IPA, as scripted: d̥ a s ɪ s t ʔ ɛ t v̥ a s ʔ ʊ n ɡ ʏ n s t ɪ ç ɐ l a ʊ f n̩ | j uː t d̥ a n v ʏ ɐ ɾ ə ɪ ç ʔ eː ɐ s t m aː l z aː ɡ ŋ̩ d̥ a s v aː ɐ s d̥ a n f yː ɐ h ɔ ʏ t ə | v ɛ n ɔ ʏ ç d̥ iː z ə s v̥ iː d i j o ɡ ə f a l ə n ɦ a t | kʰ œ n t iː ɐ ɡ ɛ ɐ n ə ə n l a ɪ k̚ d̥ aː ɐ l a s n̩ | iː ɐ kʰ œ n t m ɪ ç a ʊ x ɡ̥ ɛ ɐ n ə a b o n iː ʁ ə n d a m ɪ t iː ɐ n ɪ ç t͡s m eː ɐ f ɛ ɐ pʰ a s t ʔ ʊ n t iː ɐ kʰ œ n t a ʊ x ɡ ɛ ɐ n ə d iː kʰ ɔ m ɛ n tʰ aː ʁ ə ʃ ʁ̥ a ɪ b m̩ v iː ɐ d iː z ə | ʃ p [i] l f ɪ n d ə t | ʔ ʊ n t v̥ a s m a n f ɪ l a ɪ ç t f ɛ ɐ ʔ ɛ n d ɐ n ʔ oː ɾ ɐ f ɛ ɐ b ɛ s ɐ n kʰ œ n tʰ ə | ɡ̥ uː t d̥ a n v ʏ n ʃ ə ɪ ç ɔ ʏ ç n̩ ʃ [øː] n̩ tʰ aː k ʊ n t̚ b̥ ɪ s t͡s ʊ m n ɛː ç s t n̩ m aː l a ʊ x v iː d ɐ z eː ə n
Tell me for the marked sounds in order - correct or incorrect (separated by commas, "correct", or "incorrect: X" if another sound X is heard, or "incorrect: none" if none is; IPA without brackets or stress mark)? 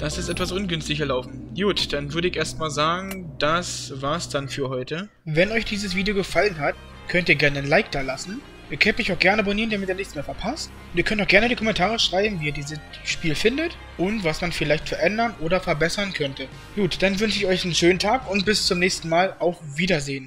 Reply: incorrect: iː, correct